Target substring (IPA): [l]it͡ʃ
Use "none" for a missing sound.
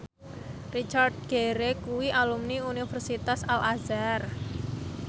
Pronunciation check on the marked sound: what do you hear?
r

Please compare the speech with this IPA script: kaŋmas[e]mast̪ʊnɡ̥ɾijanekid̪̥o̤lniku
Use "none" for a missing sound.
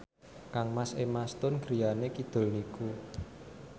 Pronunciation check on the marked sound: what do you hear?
e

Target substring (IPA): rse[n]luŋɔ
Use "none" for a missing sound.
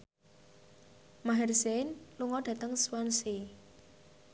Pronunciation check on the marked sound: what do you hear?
n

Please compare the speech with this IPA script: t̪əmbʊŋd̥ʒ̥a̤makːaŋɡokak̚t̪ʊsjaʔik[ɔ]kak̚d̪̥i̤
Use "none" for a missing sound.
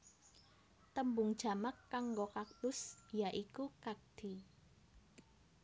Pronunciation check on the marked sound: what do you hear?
u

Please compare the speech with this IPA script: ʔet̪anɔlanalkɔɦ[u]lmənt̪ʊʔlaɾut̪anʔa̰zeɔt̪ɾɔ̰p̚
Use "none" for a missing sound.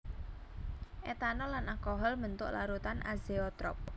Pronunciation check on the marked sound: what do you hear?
ɔ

